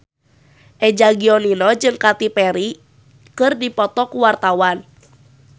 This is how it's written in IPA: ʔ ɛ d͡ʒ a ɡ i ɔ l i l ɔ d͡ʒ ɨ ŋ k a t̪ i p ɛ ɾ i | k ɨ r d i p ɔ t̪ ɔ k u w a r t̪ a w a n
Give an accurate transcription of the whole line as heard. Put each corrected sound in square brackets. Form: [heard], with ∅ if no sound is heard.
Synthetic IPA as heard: ʔ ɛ d͡ʒ a ɡ i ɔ l i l ɔ d͡ʒ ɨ ŋ k a t̪ i p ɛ ɾ i | k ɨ r d i p ɔ t̪ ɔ k u w a r t̪ a w a n